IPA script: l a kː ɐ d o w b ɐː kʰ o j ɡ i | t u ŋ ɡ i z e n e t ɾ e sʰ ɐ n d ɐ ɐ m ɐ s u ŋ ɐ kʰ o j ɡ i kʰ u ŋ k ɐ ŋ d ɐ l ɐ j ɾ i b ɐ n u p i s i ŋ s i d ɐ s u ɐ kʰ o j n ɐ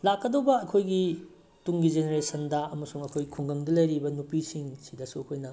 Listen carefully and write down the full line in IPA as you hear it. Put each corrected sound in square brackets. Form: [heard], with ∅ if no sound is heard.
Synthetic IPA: l a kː ɐ d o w b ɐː kʰ o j ɡ i | t u ŋ ɡ i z e n e [∅] ɾ e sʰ ɐ n d ɐ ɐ m ɐ s u ŋ ɐ kʰ o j ɡ i kʰ u ŋ [ɡ] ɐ ŋ d ɐ l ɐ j ɾ i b ɐ n u p i s i ŋ s i d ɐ s u ɐ kʰ o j n ɐ